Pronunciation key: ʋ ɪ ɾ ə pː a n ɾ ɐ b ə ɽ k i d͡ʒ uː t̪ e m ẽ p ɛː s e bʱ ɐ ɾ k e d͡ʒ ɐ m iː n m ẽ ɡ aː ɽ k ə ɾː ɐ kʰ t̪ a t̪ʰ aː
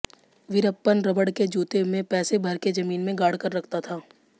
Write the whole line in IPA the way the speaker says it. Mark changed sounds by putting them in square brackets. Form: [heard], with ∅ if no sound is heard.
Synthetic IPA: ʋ ɪ ɾ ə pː [ə] n ɾ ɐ b ə ɽ k [e] d͡ʒ uː t̪ e m ẽ p ɛː s e bʱ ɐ ɾ k e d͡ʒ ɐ m iː n m ẽ ɡ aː ɽ k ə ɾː ɐ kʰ t̪ a t̪ʰ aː